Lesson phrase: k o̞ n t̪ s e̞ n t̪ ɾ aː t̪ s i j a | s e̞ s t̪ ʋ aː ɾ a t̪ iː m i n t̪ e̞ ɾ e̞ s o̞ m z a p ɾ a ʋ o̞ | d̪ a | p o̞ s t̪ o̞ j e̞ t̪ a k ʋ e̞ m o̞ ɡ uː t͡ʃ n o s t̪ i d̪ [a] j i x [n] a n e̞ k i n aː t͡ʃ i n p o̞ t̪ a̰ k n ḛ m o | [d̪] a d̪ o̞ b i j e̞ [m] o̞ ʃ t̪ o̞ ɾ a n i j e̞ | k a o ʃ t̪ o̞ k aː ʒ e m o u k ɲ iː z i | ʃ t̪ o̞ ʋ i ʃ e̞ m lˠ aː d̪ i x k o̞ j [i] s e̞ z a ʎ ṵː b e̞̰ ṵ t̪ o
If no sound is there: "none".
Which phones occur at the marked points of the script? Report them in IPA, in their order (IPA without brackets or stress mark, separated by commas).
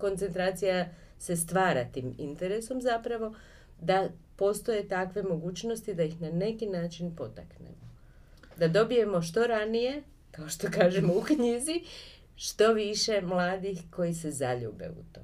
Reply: a, n, d̪, m, i